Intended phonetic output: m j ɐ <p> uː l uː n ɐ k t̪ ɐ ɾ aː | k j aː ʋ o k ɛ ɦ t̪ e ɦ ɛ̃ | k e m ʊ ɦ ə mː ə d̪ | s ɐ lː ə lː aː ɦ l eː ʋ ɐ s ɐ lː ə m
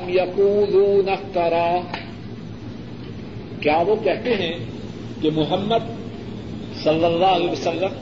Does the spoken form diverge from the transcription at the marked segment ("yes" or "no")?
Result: yes